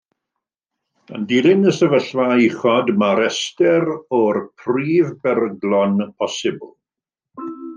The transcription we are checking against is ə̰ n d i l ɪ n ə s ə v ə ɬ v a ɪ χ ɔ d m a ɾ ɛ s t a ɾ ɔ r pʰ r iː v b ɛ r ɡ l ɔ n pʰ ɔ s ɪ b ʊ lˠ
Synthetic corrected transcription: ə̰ n d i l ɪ n ə s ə v ə ɬ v a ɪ χ ɔ d m a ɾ ɛ s t ɛ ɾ ɔ r pʰ r iː v b ɛ r ɡ l ɔ n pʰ ɔ s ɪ b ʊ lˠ